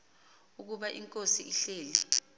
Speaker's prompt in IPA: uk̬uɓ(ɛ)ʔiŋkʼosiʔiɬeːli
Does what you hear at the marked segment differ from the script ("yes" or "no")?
yes